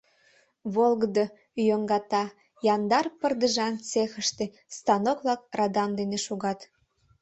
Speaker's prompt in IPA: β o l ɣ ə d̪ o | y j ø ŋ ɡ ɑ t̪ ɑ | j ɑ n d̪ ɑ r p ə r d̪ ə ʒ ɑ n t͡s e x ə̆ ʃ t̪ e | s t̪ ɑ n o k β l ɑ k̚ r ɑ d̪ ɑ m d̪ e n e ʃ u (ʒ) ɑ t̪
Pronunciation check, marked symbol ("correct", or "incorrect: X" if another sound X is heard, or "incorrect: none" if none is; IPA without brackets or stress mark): incorrect: ɣ